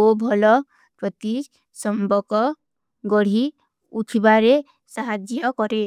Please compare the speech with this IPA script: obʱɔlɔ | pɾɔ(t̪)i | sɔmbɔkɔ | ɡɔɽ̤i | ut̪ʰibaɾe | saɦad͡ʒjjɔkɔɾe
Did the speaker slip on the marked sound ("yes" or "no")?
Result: no